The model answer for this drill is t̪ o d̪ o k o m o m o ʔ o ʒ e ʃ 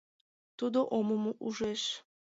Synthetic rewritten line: t̪ u d̪ o ʔ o m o m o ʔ u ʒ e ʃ